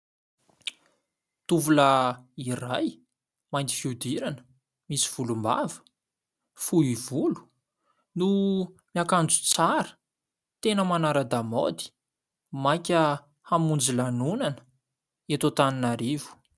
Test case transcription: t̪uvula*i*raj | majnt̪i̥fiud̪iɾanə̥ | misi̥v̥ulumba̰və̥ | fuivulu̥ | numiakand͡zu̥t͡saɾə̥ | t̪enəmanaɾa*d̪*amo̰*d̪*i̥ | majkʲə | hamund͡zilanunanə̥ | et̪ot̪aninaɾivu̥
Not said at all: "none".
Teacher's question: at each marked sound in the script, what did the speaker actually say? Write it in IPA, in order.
i, d̪, d̪

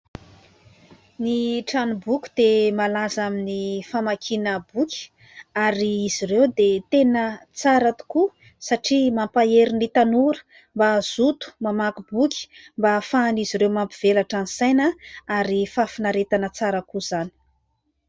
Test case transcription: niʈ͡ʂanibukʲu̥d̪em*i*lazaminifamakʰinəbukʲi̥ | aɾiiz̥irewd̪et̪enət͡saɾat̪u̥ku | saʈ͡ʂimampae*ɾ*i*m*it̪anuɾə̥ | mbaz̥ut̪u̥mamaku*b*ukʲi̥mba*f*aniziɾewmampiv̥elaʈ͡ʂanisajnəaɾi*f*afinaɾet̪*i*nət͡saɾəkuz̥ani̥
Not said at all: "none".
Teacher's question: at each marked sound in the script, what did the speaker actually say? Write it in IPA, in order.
a, ɾ, n, b, f, f, a

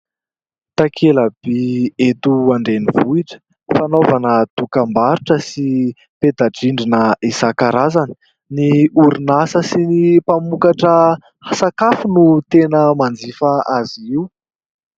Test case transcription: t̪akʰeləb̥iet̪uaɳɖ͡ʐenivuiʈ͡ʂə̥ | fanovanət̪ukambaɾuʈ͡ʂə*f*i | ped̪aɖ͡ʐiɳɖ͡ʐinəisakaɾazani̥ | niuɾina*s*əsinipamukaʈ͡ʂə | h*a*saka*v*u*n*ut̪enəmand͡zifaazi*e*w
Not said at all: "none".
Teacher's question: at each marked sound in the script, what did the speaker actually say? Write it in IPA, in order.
s, s, a, f, n, i

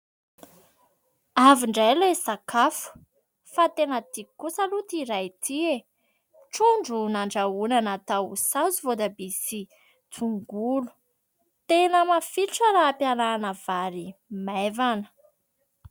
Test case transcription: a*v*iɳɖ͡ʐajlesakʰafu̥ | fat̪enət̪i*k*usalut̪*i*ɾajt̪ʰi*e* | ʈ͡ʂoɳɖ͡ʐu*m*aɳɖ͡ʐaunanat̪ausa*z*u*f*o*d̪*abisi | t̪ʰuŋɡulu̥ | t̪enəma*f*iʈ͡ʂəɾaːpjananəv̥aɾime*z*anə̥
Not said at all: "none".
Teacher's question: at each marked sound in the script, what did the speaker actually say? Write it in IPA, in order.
v, k, i, e, n, z, v, d̪, f, v

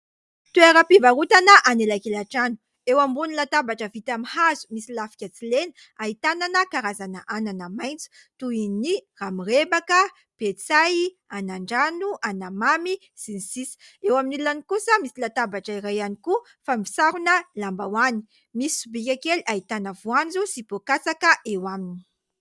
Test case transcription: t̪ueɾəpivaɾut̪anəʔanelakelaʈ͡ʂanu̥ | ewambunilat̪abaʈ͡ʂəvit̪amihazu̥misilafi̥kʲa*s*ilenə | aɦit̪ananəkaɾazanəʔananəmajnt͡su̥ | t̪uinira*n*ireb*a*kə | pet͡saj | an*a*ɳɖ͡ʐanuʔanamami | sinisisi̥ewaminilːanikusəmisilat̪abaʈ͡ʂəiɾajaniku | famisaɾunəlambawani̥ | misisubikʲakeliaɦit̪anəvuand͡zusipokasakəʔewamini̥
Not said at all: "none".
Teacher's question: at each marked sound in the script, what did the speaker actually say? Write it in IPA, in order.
t͡s, m, a, a

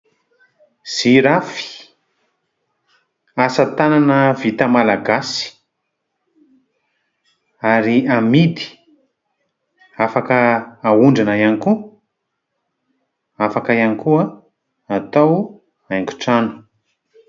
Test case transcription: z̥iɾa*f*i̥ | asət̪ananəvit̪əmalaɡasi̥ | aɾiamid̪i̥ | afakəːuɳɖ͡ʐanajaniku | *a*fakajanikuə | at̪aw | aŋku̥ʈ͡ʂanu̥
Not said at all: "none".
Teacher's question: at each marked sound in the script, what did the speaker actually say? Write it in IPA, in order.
f, a

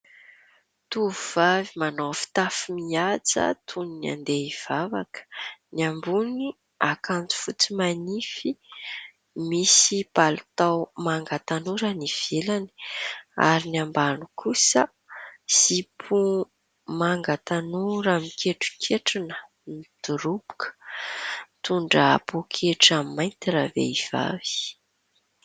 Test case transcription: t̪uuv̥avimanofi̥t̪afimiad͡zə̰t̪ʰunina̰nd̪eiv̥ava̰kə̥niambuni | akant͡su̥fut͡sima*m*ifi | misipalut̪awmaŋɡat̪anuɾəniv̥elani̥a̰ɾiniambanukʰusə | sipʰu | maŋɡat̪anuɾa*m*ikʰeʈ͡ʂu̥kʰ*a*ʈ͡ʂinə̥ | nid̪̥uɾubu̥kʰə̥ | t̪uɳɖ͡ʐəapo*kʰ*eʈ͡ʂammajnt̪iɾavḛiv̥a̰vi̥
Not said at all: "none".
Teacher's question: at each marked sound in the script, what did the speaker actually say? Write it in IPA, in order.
n, m, e, kʰ

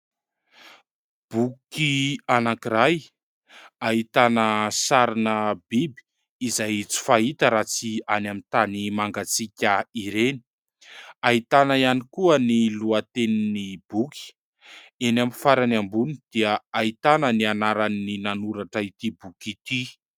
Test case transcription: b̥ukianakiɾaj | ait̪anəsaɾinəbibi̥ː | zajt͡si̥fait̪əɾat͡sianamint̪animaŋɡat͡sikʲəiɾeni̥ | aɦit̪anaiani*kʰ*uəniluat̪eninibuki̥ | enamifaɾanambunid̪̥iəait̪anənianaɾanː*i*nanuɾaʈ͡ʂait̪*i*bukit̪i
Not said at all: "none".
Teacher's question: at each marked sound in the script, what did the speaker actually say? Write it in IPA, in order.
k, i, i

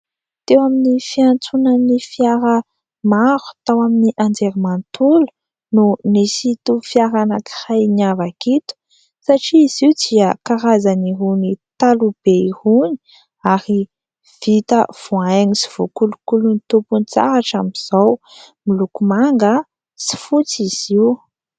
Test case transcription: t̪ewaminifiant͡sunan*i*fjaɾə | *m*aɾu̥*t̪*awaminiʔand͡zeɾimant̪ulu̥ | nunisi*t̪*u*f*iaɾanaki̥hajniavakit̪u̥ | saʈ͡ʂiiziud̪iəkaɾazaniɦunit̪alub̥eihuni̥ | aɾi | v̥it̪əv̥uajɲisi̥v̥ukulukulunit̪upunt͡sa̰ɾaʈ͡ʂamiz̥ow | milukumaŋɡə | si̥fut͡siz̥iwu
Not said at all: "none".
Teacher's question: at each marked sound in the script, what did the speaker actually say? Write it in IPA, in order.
i, m, t̪, t̪, f

